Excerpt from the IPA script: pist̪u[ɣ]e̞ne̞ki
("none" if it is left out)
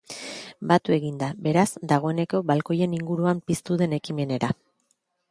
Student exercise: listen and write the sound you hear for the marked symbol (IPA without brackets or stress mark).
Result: ð